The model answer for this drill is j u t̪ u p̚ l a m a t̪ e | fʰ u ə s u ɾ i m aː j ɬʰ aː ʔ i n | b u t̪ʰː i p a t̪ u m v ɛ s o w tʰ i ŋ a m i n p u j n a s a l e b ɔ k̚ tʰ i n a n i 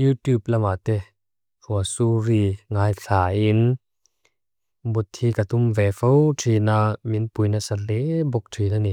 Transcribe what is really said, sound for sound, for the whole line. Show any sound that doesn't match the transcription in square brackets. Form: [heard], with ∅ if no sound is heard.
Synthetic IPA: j u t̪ u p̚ l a m a t̪ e | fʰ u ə s u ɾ i [ŋ] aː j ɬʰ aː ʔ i n | b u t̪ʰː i [k] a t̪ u m v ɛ [f] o w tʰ i [n] a m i n p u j n a s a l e b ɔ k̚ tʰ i n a n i